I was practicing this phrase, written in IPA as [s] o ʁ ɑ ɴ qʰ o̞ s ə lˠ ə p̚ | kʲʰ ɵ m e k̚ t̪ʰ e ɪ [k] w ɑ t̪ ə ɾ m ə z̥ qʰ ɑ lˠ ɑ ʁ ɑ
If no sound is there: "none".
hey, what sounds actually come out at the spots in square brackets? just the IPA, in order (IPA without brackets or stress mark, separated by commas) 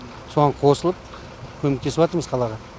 s, p